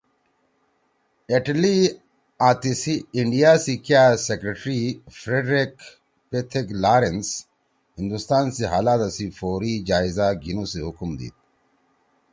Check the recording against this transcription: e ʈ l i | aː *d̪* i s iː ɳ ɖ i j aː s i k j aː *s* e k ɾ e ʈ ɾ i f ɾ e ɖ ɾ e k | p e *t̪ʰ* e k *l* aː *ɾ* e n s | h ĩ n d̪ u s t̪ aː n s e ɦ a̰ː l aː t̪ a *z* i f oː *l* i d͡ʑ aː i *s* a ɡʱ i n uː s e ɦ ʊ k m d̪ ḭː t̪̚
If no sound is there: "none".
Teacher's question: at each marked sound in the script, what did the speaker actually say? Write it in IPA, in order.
t̪, s, t̪ʰ, l, ɾ, s, ɾ, z

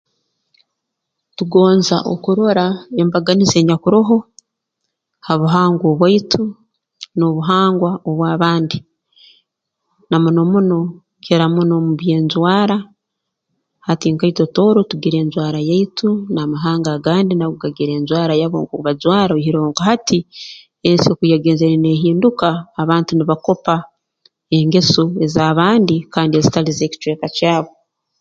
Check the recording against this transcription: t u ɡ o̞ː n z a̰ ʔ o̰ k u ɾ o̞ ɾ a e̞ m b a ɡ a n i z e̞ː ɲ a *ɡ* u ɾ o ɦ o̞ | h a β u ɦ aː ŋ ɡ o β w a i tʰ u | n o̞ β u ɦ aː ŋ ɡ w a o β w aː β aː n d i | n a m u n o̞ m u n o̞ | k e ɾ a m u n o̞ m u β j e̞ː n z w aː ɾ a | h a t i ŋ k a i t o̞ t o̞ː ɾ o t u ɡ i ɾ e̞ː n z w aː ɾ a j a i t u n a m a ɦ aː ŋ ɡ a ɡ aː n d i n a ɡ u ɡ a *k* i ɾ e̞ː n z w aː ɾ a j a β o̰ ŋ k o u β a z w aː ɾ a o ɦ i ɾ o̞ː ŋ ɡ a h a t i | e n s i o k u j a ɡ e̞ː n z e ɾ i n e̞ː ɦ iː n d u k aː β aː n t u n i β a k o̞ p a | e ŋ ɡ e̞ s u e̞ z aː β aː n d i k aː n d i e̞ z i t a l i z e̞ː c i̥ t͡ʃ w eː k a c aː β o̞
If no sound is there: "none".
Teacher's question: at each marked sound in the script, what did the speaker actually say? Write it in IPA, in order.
k, ɡ

